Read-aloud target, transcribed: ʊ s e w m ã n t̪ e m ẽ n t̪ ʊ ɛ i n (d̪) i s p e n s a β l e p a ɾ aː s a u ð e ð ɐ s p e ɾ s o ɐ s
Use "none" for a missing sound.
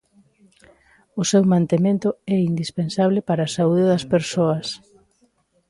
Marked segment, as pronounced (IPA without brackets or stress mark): d̪